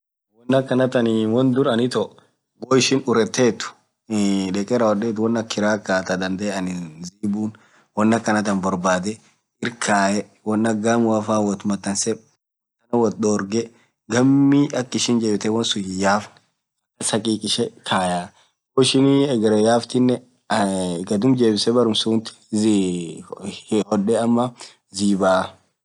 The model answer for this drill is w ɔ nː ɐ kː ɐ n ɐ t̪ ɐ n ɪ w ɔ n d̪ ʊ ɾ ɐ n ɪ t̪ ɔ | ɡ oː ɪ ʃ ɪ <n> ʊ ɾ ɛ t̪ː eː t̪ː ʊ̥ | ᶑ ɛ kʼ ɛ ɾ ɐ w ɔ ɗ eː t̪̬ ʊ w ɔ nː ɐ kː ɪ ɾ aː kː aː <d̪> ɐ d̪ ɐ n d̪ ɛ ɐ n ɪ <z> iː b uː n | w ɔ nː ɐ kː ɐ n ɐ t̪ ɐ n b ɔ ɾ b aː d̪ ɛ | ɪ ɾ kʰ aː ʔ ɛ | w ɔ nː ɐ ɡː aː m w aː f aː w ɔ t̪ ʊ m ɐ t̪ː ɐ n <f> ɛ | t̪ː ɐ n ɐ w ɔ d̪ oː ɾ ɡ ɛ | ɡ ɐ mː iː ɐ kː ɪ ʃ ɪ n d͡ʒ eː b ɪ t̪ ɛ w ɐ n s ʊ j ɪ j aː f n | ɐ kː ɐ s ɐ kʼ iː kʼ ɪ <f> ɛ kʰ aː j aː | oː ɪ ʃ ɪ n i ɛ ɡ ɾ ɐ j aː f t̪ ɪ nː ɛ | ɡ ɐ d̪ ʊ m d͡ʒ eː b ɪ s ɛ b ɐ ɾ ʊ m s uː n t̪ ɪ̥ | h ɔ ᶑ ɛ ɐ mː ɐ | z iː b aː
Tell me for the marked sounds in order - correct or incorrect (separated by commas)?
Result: correct, incorrect, correct, incorrect, incorrect